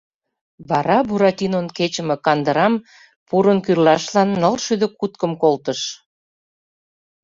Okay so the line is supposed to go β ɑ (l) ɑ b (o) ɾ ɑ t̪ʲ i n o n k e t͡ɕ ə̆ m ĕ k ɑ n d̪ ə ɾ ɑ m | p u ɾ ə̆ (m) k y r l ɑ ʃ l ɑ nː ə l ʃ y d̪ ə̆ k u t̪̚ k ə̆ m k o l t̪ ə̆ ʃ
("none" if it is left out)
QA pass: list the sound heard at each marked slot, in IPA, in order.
ɾ, u, n

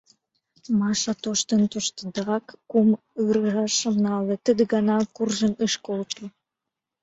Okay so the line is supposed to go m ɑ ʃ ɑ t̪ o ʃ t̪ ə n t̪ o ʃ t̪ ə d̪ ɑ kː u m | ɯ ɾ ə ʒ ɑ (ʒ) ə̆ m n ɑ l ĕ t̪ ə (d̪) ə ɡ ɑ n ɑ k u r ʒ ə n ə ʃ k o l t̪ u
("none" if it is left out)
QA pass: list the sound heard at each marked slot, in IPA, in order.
ʃ, d̪

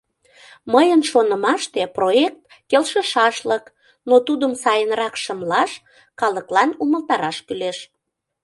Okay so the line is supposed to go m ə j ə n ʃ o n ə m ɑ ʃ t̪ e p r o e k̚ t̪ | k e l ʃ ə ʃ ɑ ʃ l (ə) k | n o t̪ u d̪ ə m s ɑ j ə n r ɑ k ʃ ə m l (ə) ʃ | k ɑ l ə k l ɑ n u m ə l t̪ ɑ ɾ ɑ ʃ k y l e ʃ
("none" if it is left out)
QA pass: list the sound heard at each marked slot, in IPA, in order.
ə, ɑ

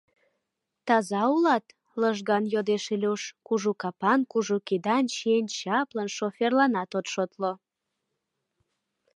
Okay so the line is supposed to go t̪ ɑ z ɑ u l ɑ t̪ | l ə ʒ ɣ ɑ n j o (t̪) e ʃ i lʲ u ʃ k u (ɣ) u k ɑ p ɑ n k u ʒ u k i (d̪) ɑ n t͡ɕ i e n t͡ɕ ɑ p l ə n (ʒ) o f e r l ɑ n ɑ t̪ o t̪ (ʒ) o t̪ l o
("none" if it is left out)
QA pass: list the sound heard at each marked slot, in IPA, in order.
d̪, ʒ, d̪, ʃ, ʃ

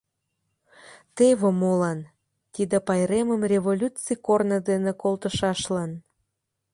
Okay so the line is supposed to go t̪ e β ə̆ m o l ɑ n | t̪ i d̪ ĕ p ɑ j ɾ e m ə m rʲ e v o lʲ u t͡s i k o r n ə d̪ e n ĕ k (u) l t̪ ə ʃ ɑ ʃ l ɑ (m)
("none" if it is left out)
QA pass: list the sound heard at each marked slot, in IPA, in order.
o, n

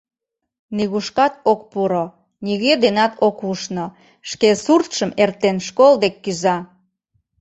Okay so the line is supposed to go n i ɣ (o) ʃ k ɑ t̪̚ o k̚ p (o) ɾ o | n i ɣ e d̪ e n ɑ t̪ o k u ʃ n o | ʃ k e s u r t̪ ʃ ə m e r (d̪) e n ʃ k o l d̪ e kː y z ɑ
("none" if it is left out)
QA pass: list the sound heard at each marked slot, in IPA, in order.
u, u, t̪

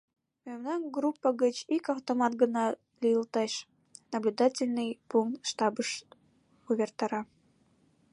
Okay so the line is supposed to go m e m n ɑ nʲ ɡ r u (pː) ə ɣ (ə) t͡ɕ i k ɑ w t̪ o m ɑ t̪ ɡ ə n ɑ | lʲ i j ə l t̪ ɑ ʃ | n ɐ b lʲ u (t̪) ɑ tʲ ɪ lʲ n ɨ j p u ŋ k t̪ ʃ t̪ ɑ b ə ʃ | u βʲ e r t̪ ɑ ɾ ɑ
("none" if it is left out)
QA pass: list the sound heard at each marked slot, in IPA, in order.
pː, ə, d̪

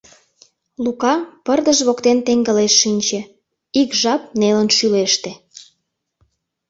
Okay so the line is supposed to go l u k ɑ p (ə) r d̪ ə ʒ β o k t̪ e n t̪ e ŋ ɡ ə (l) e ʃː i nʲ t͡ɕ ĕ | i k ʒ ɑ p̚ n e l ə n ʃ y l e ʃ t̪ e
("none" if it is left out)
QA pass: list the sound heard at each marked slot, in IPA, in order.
ə, l

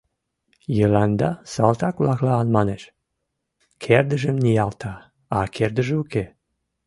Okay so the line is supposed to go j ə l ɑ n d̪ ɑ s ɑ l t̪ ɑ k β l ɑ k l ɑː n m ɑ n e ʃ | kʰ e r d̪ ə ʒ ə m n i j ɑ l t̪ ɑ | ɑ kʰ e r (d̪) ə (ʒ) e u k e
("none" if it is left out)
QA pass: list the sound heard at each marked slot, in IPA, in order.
d̪, ʒ

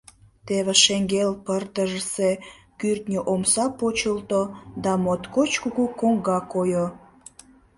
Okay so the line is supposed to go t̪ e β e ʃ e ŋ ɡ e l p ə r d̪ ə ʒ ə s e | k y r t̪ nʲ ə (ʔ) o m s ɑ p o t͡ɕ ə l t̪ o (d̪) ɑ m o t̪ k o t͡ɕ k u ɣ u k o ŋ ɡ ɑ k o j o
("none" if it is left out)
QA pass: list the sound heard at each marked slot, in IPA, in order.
ʔ, d̪

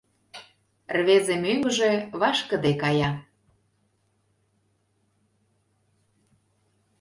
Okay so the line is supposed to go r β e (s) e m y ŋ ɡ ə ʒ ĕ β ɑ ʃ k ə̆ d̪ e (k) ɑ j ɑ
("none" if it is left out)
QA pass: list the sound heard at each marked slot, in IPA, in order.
z, k

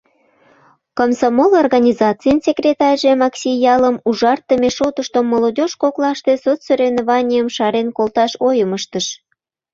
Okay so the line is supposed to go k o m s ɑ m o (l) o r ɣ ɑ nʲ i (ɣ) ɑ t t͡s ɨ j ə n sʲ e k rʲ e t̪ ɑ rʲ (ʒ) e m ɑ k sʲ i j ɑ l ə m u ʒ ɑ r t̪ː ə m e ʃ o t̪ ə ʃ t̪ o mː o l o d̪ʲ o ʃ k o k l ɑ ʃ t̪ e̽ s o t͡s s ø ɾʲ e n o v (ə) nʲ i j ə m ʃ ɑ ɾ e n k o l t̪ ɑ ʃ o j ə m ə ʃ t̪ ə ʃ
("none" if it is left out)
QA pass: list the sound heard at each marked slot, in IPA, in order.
l, z, ʒ, ɑ

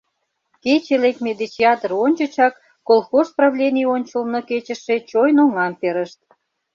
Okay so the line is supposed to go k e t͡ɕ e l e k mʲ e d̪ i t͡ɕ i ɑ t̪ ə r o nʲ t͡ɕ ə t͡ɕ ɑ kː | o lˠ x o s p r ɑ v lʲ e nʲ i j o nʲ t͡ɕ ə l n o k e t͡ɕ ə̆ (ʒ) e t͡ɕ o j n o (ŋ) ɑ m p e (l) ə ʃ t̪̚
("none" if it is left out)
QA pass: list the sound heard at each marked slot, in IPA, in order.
ʃ, ŋ, ɾ

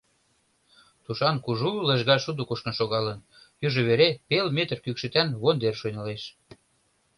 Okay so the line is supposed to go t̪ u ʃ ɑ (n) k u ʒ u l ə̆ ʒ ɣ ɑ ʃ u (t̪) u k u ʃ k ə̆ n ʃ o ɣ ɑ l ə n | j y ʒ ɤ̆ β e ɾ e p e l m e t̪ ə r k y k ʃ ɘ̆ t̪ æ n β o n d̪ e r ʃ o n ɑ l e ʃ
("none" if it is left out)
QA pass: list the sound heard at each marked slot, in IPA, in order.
n, d̪

